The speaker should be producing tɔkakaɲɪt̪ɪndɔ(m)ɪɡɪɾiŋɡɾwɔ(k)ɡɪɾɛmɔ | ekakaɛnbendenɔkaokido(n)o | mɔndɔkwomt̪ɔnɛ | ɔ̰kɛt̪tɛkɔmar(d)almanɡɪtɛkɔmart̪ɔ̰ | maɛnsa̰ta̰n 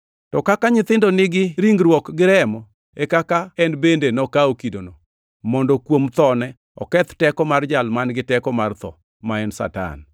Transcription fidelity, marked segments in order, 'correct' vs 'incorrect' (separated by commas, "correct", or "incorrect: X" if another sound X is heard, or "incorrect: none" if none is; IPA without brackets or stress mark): incorrect: n, correct, correct, incorrect: d͡ʒ